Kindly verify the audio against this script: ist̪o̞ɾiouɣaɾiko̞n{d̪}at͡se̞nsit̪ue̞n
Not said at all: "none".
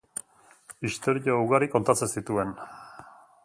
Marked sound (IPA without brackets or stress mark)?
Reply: t̪